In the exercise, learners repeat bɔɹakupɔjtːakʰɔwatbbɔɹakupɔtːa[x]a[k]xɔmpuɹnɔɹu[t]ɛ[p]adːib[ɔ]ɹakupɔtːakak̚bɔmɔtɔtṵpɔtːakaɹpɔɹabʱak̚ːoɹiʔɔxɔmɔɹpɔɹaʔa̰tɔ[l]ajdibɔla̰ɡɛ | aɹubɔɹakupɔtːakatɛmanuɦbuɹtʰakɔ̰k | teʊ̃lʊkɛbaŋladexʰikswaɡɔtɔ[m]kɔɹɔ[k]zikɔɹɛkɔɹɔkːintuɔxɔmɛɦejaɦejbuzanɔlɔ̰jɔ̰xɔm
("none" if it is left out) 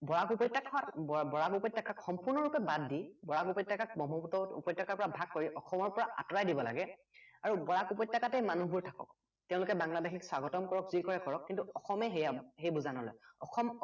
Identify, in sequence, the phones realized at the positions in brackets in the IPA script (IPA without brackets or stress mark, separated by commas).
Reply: k, k, p, b, ɔ, ɹ, m, k